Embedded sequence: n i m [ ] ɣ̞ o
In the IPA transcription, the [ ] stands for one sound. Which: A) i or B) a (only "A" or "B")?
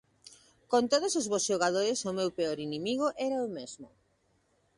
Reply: A